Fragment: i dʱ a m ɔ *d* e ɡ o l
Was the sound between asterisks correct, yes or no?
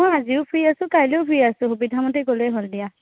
no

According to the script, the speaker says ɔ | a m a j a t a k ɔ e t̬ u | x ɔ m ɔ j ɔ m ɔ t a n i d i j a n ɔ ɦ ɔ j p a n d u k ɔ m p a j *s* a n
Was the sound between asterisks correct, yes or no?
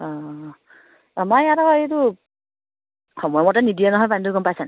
yes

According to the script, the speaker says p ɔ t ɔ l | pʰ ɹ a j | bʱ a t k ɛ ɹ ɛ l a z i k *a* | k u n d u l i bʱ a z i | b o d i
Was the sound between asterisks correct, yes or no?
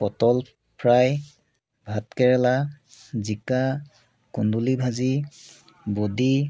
yes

